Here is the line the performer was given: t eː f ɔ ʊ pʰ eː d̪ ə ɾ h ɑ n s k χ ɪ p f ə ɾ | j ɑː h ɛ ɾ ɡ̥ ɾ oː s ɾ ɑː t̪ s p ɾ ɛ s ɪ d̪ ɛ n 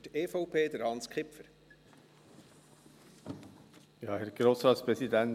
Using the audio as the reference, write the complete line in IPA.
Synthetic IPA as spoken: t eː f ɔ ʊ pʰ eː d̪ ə ɾ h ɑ n s k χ ɪ p f ə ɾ | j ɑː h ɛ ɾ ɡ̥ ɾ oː s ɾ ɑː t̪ s p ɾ ɛ s i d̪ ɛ n